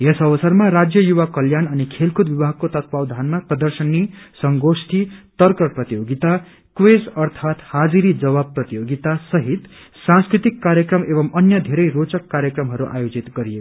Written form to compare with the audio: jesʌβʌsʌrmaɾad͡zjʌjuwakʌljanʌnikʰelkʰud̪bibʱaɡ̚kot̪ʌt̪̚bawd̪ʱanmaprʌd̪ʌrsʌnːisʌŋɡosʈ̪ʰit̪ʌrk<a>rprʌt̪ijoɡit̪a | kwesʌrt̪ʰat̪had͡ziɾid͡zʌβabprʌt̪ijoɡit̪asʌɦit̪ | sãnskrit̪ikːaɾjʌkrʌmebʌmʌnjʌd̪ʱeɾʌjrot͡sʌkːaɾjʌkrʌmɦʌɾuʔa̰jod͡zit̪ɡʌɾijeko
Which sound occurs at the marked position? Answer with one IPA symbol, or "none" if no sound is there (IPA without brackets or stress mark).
ʌ